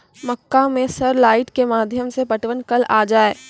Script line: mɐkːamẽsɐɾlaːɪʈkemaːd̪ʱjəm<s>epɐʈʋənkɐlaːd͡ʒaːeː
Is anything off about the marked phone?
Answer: no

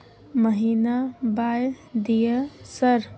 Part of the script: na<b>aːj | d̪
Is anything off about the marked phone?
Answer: no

